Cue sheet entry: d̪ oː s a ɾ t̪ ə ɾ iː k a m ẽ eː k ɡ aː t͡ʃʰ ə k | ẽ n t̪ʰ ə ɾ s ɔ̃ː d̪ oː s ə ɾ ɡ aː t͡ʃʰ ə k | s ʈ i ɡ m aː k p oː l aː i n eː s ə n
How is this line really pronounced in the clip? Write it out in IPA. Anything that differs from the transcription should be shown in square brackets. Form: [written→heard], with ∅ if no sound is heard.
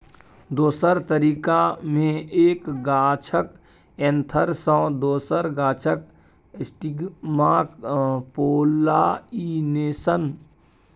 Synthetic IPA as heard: d̪ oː s [a→ə] ɾ t̪ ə ɾ iː k a m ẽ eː k ɡ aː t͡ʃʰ ə k | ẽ n t̪ʰ ə ɾ s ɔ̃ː d̪ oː s ə ɾ ɡ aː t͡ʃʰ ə k | s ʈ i ɡ m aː k p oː l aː i n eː s ə n